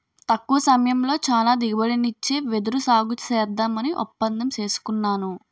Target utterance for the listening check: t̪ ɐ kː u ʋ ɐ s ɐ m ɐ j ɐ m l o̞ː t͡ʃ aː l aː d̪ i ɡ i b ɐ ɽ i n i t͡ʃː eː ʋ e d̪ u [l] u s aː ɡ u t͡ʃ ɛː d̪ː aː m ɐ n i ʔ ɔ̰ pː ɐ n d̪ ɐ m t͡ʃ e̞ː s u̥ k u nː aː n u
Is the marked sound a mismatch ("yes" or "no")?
yes